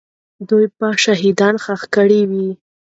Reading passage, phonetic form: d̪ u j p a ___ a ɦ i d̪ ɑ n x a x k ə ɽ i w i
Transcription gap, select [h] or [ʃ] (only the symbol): ʃ